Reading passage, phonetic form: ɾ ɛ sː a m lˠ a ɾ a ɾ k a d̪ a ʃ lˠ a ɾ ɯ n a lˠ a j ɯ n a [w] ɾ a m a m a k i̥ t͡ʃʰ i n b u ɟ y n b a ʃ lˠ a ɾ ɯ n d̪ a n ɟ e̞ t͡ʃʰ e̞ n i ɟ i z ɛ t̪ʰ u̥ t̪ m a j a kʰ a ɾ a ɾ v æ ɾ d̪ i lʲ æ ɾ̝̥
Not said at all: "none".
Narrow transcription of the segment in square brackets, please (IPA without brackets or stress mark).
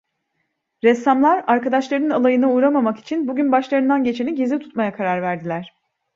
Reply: u